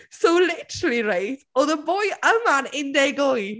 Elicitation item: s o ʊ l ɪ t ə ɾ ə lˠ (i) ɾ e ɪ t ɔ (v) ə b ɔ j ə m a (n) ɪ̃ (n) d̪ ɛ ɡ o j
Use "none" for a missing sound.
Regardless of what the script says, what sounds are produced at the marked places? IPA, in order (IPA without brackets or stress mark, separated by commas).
i, ð, n, n